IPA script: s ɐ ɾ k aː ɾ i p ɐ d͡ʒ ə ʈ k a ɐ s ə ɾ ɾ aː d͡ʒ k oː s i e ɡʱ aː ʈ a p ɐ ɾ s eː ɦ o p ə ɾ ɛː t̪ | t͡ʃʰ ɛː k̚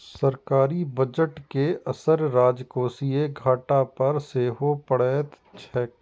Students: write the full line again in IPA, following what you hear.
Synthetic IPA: s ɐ ɾ k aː ɾ i b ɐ d͡ʒ ə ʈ k e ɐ s ə ɾ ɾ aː d͡ʒ k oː s i e ɡʱ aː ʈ a p ɐ ɾ s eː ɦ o p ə ɽ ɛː t̪ | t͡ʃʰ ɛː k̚